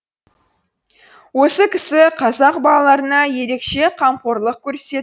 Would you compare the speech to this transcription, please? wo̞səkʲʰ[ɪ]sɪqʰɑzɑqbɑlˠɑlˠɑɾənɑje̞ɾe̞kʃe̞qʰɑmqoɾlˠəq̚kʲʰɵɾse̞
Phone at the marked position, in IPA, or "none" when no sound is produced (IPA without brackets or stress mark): ɪ